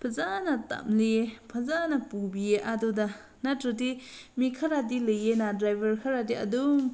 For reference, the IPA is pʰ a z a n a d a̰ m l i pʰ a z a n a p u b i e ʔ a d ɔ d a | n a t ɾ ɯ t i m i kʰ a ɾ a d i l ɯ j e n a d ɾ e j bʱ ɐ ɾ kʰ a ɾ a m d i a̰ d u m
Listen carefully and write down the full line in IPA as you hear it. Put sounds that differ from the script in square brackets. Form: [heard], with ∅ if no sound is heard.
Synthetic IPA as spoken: pʰ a z a n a [t] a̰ m l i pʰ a z a n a p u b i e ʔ a d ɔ d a | n a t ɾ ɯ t i m i kʰ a ɾ a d i l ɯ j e n a d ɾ [a] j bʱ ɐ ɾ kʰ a ɾ a [∅] d i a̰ d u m

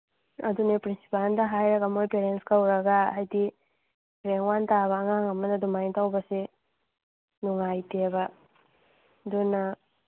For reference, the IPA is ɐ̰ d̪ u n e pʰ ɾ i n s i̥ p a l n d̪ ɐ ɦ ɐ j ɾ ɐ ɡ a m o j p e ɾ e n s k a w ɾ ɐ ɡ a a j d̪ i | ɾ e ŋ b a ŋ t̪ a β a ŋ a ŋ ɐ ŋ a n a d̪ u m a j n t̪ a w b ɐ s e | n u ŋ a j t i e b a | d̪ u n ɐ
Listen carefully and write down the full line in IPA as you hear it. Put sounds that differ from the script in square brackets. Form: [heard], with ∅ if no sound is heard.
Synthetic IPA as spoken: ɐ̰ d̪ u n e [p] ɾ i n s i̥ p a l n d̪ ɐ ɦ [a] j ɾ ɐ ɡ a m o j p e ɾ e n s k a w ɾ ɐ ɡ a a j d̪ i | ɾ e ŋ [w] a [n] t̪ a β a ŋ a ŋ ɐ [m] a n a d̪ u m a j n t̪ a w b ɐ s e | n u ŋ a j t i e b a | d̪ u n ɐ

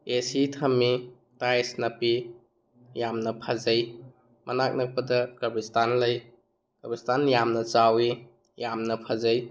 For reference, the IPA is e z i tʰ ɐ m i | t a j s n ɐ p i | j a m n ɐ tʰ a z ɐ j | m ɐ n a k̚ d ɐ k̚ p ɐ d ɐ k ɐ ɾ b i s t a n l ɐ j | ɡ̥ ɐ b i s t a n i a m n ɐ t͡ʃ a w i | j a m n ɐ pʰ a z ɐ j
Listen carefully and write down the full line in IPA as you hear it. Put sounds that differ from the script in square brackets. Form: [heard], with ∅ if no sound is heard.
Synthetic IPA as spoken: e [s] i tʰ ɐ m i | t a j s n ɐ p i | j a m n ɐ [pʰ] a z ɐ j | m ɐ n a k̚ [n] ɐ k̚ p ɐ d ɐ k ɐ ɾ b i s t a n l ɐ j | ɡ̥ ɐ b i s t a n [j] a m n ɐ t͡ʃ a w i | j a m n ɐ pʰ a z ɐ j

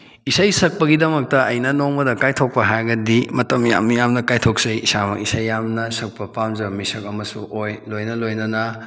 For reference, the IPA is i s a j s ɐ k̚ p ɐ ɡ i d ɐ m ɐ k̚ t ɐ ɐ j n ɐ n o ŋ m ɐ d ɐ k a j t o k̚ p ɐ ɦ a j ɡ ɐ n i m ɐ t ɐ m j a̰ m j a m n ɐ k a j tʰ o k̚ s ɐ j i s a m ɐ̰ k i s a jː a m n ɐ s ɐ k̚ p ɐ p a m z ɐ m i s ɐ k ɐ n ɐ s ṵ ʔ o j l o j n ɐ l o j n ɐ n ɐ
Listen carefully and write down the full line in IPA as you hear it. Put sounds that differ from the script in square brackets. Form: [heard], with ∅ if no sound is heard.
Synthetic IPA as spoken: i s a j s ɐ k̚ p ɐ ɡ i d ɐ m ɐ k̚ t ɐ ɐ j n ɐ n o ŋ m ɐ d ɐ k a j [tʰ] o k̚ p ɐ ɦ a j ɡ ɐ [d] i m ɐ t ɐ m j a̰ m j a m n ɐ k a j tʰ o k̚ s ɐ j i s a m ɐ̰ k i s a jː a m n ɐ s ɐ k̚ p ɐ p a m z ɐ m i s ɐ k ɐ [m] ɐ s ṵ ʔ o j l o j n ɐ l o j n ɐ n ɐ

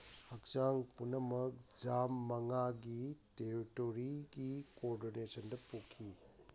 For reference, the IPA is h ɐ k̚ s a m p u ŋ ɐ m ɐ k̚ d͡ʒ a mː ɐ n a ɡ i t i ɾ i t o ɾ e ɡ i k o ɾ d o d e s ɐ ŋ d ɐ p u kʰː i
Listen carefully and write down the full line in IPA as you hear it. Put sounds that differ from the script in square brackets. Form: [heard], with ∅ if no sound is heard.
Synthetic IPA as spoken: h ɐ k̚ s a [ŋ] p u [n] ɐ m ɐ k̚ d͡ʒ a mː ɐ [ŋ] a ɡ i t [e] ɾ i t o ɾ [i] ɡ i k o ɾ d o [n] e s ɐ [n] d ɐ p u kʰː i

